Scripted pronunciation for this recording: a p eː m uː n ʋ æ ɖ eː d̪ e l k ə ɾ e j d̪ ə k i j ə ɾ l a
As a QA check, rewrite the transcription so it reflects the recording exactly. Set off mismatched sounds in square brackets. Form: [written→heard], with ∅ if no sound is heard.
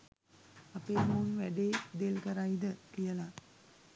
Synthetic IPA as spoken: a p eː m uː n ʋ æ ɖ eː d̪ e l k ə ɾ [e→a] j d̪ ə k i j ə [ɾ→∅] l a